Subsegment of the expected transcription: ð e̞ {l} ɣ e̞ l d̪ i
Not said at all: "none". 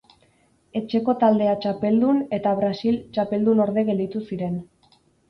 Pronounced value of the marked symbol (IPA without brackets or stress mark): none